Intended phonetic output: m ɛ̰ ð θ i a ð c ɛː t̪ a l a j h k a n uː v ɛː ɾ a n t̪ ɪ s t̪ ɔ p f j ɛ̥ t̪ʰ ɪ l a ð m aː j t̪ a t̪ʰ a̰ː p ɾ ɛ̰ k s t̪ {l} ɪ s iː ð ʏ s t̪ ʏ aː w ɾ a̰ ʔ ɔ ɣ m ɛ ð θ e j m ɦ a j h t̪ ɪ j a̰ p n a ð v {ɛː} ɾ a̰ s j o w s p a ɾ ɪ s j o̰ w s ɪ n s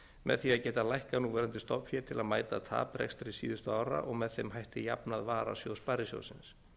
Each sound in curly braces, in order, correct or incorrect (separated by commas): incorrect, incorrect